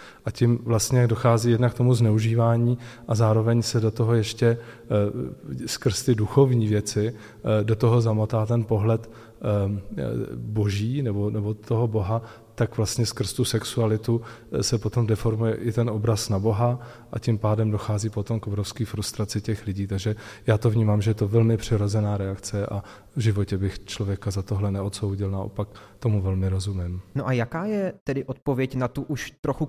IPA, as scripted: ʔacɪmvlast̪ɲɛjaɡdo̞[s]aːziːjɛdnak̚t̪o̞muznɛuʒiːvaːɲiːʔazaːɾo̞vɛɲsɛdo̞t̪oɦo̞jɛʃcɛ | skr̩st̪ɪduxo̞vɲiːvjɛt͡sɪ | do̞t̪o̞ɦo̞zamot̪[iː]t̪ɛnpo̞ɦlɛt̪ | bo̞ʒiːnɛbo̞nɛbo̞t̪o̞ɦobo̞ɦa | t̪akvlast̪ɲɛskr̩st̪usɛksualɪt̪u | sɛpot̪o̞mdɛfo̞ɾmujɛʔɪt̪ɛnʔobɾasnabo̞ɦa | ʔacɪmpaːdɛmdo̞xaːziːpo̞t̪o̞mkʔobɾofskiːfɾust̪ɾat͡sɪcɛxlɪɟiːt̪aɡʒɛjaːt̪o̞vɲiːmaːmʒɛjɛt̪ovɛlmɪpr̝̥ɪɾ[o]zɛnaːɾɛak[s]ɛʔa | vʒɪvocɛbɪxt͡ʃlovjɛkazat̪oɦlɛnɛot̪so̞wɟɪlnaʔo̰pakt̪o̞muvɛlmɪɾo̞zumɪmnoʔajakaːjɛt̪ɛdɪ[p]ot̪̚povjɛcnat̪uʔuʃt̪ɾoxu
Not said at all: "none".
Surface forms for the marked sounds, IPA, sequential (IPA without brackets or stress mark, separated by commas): x, aː, o, t͡s, ʔ